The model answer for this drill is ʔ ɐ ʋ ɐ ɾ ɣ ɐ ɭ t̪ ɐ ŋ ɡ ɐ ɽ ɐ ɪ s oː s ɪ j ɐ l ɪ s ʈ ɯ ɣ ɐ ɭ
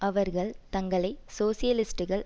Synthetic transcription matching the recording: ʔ ɐ ʋ ɐ ɾ ɣ ɐ ɭ t̪ ɐ ŋ ɡ ɐ ɭ ɐ ɪ s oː s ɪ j ɐ l ɪ s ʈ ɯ ɣ ɐ ɭ